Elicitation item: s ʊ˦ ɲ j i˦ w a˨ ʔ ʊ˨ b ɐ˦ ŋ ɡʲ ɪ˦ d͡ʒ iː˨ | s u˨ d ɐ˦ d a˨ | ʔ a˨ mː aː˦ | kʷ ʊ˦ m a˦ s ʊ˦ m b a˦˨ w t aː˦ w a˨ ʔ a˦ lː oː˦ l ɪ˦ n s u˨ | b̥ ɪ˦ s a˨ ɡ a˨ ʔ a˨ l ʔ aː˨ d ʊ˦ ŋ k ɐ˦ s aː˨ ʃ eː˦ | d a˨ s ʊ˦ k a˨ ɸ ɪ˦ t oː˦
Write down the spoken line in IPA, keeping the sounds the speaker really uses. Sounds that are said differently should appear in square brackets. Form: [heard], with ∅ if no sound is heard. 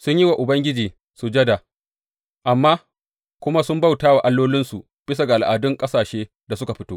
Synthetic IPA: s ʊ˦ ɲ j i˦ w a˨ ʔ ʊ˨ b ɐ˦ ŋ ɡʲ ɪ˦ d͡ʒ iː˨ | s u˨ [d͡ʒ] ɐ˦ d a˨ | ʔ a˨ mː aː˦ | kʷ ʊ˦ m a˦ s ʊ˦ m b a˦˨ w t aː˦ w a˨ ʔ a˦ lː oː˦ l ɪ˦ n s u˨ | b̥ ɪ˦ s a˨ ɡ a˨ ʔ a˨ l ʔ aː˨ d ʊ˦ ŋ [kʼ] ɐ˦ s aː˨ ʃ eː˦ | d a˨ s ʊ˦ k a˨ ɸ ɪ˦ t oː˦